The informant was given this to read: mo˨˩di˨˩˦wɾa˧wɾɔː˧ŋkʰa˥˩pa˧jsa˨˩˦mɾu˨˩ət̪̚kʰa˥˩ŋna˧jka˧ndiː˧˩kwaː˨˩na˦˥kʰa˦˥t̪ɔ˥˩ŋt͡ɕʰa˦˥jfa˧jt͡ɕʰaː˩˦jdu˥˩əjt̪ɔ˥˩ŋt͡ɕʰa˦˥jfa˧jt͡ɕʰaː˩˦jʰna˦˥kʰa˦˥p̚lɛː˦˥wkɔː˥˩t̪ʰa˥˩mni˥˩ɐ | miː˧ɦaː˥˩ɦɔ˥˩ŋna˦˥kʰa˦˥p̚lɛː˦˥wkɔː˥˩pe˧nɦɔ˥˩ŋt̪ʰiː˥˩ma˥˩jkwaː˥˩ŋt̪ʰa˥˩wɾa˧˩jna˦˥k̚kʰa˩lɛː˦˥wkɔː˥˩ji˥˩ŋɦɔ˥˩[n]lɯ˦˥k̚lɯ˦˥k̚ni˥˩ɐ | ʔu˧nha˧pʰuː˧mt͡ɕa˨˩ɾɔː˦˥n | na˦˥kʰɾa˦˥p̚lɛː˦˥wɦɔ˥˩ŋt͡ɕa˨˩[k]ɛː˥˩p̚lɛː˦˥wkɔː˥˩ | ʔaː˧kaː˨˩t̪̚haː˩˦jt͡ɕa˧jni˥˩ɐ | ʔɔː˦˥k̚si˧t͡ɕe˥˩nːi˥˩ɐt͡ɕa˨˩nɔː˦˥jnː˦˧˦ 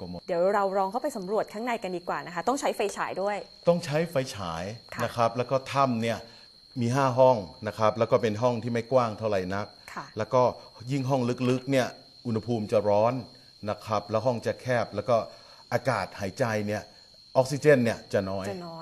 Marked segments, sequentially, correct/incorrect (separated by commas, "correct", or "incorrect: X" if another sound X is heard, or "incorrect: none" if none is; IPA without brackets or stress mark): incorrect: ŋ, incorrect: kʰ